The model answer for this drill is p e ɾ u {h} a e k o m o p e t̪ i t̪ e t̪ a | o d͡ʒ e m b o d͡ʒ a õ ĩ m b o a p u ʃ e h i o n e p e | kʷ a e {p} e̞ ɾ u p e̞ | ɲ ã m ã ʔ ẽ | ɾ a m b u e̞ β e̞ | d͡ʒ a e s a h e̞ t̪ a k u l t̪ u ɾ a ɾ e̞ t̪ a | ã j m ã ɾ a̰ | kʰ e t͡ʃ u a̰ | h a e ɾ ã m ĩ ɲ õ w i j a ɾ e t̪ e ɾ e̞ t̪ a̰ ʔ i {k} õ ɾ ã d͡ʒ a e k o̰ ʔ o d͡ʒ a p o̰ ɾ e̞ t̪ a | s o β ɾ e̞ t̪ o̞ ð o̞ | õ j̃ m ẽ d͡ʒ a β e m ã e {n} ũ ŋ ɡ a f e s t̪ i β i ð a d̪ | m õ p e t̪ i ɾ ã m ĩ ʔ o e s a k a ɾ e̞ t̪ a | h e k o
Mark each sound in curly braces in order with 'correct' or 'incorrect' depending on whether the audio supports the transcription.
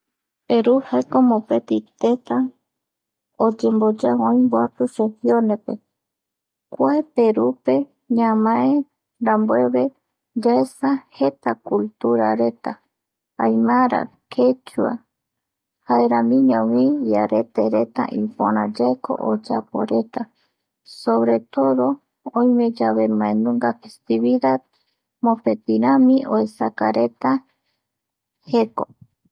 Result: correct, correct, incorrect, correct

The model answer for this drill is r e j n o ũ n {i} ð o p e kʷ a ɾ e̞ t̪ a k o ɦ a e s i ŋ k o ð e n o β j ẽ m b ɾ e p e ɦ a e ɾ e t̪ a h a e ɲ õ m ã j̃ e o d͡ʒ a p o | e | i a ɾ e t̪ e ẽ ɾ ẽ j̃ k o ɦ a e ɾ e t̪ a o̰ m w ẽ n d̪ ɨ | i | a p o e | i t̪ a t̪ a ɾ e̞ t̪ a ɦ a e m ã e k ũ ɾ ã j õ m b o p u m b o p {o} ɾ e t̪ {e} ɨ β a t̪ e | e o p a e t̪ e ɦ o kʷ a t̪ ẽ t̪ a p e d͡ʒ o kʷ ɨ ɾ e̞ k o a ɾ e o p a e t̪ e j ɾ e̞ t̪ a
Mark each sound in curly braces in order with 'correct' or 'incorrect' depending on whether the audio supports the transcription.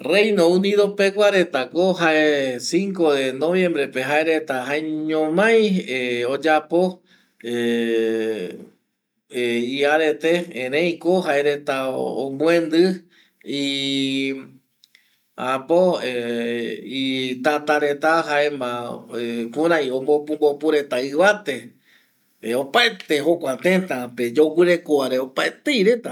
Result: correct, incorrect, incorrect

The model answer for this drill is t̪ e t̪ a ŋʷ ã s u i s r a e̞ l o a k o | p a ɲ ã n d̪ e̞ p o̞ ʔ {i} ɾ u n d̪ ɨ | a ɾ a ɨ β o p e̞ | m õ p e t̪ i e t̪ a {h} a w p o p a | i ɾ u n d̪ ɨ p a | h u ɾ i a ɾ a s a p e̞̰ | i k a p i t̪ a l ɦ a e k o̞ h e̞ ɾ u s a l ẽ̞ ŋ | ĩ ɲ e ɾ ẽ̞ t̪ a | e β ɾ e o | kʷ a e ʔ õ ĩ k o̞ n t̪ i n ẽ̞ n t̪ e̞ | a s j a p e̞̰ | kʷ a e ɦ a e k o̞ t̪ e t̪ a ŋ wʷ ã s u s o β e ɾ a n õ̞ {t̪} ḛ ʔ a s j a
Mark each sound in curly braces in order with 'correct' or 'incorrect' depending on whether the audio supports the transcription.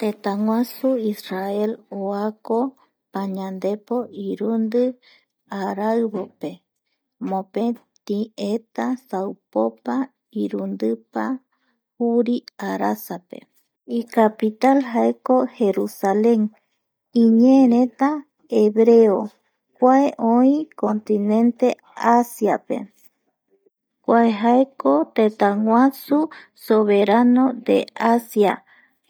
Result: correct, incorrect, incorrect

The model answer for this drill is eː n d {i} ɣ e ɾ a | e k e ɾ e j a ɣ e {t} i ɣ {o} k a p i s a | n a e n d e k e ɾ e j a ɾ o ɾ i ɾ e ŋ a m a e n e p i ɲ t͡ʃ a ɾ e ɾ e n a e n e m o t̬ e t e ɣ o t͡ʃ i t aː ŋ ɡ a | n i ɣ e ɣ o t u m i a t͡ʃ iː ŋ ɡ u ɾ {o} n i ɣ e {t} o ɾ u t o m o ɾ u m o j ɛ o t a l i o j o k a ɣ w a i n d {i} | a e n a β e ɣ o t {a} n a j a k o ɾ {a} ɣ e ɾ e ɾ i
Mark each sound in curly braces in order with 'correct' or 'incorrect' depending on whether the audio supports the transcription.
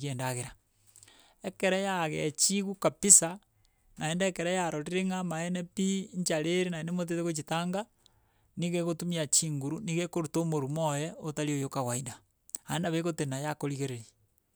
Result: incorrect, incorrect, incorrect, incorrect, incorrect, incorrect, incorrect, incorrect

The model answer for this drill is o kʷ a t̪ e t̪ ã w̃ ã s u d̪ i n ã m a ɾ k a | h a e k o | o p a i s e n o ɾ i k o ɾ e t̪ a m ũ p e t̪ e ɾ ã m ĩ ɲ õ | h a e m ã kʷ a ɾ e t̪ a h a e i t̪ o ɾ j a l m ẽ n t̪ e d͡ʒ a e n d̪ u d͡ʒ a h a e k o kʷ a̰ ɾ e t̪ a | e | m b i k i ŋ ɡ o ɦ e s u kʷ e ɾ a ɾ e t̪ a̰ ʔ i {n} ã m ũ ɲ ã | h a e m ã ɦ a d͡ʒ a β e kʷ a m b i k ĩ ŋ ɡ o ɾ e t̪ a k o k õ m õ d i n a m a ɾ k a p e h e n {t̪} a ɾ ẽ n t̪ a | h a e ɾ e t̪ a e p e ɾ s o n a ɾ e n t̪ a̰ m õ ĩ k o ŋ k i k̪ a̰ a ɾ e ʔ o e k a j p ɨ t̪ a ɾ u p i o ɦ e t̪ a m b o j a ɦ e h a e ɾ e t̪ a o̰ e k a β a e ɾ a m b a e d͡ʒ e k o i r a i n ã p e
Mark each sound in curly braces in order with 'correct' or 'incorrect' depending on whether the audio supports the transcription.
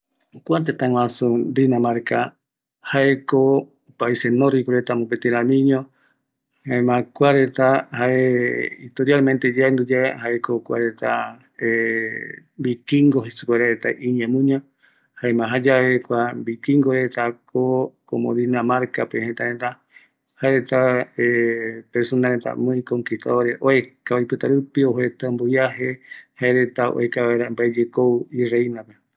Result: incorrect, correct

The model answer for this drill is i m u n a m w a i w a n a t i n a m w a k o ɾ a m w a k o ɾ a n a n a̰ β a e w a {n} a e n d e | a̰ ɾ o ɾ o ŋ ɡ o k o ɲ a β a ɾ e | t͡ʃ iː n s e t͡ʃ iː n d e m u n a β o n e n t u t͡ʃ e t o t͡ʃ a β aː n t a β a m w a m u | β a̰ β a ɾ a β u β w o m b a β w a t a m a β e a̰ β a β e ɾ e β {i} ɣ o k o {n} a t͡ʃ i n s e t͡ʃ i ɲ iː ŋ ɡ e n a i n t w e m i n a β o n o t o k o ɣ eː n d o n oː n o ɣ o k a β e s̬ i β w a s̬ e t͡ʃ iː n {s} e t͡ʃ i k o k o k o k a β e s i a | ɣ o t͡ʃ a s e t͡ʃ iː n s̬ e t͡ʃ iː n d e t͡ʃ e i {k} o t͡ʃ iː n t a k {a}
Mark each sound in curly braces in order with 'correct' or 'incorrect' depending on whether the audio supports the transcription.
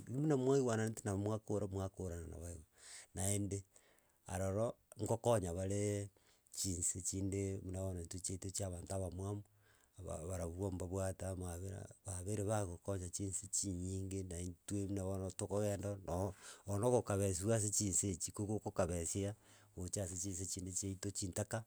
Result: correct, incorrect, incorrect, correct, incorrect, correct

